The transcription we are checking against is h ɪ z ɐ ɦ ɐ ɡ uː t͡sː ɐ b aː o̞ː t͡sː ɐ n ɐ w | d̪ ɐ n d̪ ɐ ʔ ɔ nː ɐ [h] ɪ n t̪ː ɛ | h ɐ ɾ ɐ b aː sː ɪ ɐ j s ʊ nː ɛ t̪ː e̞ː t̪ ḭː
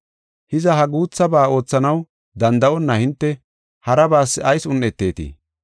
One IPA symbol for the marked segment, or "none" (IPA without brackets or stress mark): h